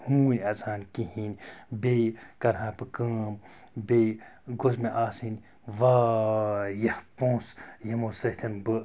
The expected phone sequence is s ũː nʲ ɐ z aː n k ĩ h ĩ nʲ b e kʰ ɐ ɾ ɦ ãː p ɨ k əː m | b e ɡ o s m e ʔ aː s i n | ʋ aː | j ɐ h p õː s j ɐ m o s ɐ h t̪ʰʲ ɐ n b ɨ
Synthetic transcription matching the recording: h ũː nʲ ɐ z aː n k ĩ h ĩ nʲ b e k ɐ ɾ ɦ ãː p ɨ k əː m | b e ɡ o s m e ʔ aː s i n | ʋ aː | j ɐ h p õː s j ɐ m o s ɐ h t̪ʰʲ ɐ n b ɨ

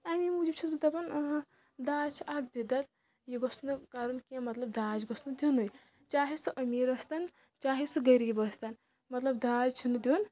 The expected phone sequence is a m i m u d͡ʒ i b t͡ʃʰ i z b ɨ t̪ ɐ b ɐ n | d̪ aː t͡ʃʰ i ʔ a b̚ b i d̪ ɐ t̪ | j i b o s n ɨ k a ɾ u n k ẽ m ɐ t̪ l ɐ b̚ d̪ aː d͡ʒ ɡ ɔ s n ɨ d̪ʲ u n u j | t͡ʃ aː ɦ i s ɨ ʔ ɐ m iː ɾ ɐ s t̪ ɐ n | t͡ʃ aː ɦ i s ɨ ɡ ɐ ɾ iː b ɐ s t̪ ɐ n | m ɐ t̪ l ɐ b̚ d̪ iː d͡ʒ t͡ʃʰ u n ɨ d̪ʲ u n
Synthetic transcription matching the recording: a m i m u d͡ʒ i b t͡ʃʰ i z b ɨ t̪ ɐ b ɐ n | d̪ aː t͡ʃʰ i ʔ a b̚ b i d̪ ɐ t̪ | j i ɡ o s n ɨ k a ɾ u n k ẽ m ɐ t̪ l ɐ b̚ d̪ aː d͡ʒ ɡ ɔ s n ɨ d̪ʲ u n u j | t͡ʃ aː ɦ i s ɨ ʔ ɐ m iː ɾ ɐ s t̪ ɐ n | t͡ʃ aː ɦ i s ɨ ɡ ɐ ɾ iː b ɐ s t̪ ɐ n | m ɐ t̪ l ɐ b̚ d̪ aː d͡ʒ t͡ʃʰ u n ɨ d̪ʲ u n

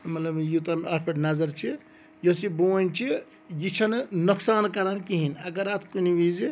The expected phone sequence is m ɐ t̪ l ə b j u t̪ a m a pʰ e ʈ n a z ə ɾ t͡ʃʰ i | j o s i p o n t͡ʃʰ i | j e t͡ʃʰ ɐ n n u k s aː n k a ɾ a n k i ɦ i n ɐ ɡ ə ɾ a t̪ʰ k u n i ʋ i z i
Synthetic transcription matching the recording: m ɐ t̪ l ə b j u t̪ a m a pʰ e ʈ n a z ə ɾ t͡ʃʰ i | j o s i b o n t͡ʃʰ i | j i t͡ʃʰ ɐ n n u k s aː n k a ɾ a n k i ɦ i n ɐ ɡ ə ɾ a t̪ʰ k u n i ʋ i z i

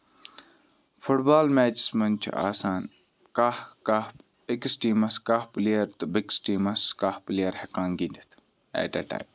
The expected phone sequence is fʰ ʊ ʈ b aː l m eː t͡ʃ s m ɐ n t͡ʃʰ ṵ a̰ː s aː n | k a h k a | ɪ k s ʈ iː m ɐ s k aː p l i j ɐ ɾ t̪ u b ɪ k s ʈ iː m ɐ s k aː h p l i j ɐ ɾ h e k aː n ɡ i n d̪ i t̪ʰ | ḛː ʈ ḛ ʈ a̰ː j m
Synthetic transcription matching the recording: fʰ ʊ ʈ b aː l m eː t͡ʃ s m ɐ n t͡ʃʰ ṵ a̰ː s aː n | k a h k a | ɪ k s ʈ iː m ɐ s k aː p l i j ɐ ɾ t̪ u b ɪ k s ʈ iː m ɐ s k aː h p l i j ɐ ɾ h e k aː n ɡ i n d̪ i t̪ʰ | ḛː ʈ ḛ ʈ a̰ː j m

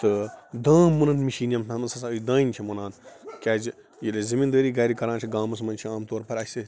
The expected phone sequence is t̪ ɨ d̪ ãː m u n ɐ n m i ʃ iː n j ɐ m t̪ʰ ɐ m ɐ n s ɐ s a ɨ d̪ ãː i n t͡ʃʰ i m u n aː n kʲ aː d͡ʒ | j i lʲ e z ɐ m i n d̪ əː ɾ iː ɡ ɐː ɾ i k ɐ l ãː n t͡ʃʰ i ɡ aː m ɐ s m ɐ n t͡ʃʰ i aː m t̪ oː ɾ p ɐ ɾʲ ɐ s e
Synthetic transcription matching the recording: t̪ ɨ d̪ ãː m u n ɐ n m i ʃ iː n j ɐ m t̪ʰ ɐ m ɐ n s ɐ s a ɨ d̪ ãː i n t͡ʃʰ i m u n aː n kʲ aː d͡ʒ | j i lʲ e z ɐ m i n d̪ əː ɾ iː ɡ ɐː ɾ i k ɐ ɾ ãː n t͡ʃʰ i ɡ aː m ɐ s m ɐ n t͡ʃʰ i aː m t̪ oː ɾ p ɐ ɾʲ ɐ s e

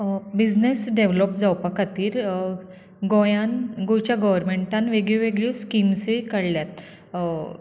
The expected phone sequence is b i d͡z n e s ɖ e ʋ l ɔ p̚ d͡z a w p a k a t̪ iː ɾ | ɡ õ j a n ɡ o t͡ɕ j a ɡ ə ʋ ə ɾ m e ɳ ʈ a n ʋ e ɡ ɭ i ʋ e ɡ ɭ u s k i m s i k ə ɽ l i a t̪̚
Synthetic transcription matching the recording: b i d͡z n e s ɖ e ʋ l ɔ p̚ d͡z a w p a k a t̪ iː ɾ | ɡ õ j a n ɡ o t͡ɕ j a ɡ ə ʋ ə ɾ m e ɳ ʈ a n ʋ e ɡ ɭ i ʋ e ɡ ɭ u s k i m s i k ə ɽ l j a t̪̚

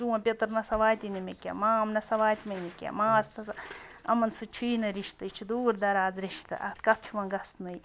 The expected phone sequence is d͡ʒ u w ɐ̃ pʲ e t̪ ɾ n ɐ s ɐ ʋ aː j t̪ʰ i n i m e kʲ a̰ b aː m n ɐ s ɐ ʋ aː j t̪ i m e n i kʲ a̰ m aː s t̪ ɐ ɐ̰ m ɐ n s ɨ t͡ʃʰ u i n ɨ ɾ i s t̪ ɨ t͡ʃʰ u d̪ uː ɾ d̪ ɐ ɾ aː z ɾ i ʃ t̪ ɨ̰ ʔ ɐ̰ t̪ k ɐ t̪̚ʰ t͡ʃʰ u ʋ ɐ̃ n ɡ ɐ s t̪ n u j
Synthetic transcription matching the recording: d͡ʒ u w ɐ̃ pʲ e t̪ ɾ n ɐ s ɐ ʋ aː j t̪ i n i m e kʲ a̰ m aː m n ɐ s ɐ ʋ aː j t̪ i m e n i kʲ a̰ m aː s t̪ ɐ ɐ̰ m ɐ n s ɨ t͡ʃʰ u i n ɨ ɾ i ʃ t̪ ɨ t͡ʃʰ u d̪ uː ɾ d̪ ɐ ɾ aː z ɾ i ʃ t̪ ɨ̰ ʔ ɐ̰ t̪ k ɐ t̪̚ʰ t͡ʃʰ u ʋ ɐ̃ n ɡ ɐ s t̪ n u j

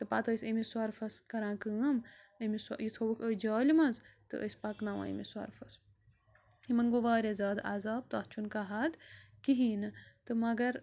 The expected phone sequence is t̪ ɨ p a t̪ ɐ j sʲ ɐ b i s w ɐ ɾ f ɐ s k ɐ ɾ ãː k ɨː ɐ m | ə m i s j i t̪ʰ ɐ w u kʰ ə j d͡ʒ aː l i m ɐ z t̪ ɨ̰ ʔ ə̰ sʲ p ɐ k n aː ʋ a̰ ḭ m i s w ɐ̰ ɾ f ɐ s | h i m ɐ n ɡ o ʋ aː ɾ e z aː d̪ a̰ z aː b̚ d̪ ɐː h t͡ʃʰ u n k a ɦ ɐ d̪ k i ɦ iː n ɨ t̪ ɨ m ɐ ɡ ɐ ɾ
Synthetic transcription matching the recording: t̪ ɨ p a t̪ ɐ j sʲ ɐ m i s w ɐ ɾ f ɐ s k ɐ ɾ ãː k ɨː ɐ m | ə m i s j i t̪ʰ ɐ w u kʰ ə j d͡ʒ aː l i m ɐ z t̪ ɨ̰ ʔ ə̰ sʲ p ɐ k n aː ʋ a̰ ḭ m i s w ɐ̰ ɾ f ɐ s | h i m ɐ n ɡ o ʋ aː ɾ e z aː d̪ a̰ z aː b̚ t̪ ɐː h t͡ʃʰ u n k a ɦ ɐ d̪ k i ɦ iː n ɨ t̪ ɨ m ɐ ɡ ɐ ɾ

